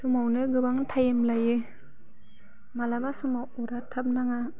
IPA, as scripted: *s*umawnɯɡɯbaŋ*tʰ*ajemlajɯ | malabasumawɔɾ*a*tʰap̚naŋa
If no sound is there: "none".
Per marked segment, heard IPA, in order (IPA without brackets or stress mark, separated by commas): s, tʰ, a